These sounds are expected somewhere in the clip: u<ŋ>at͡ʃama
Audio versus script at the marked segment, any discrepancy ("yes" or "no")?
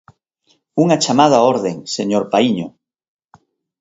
no